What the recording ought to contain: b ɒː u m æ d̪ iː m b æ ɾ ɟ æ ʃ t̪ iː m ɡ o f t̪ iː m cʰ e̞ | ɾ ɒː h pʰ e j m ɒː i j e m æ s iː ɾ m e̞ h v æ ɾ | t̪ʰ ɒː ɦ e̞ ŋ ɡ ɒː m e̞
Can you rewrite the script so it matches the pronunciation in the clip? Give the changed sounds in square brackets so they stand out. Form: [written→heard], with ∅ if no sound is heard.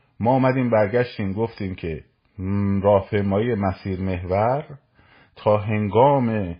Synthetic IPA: [b→m] ɒː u m æ d̪ iː m b æ ɾ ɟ æ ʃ t̪ iː m ɡ o f t̪ iː m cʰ e̞ | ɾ ɒː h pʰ e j m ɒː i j e m æ s iː ɾ m e̞ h v æ ɾ | t̪ʰ ɒː ɦ e̞ ŋ ɡ ɒː m e̞